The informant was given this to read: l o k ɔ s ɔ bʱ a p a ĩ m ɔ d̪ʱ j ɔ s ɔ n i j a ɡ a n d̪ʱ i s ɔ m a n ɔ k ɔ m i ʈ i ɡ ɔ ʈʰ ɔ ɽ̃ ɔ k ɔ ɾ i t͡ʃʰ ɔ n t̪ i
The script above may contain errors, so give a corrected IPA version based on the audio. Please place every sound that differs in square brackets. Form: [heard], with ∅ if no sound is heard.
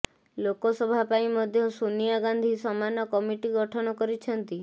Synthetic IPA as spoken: l o k ɔ s ɔ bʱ a p a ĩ m ɔ d̪ʱ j ɔ s [u] n i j a ɡ a n d̪ʱ i s ɔ m a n ɔ k ɔ m i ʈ i ɡ ɔ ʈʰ ɔ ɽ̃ ɔ k ɔ ɾ i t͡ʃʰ ɔ n t̪ i